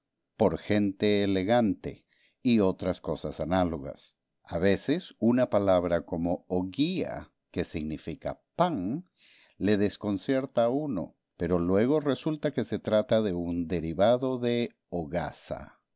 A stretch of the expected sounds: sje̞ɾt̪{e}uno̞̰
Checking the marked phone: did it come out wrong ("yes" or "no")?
yes